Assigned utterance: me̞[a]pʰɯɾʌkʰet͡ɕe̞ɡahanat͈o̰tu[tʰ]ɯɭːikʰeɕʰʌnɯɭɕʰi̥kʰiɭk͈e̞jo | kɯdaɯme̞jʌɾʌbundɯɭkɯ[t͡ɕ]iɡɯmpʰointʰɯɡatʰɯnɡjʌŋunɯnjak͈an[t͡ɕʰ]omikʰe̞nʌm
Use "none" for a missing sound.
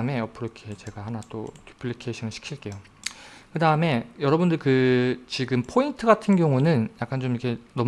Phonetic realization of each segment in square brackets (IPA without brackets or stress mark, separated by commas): ʌ, pʰ, t͡ɕ, t͡ɕ